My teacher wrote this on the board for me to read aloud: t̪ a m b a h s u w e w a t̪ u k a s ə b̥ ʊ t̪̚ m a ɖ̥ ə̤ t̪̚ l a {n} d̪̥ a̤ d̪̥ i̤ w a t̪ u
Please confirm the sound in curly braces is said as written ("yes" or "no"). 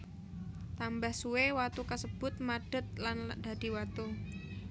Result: yes